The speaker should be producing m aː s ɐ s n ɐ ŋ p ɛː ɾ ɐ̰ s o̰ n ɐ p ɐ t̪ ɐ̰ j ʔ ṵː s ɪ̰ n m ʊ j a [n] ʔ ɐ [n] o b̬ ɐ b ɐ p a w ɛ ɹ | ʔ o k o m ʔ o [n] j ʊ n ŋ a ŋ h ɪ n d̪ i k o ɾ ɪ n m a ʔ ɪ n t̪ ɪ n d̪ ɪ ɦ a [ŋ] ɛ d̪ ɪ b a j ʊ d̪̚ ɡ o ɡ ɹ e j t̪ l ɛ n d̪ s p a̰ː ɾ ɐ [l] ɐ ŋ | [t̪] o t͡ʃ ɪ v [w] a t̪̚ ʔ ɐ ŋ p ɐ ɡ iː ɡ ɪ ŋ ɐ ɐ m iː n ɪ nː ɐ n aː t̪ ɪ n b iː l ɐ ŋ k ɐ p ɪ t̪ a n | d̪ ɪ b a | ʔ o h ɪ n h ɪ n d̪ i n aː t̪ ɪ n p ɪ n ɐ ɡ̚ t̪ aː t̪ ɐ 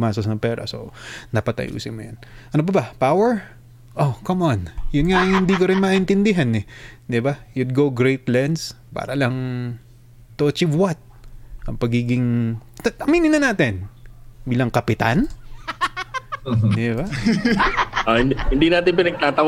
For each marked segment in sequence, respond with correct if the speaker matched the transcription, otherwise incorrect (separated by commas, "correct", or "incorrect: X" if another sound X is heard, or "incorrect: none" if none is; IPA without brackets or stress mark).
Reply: correct, correct, correct, incorrect: n, correct, correct, correct